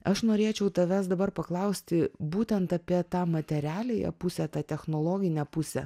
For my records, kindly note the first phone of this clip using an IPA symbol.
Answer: ɐ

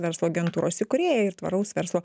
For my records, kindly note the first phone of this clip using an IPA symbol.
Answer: ʋʲ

